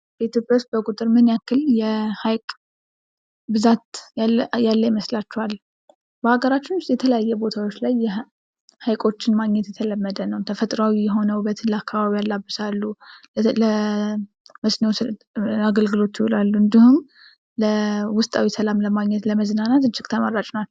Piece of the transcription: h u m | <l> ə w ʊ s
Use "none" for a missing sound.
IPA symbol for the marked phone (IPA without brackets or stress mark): l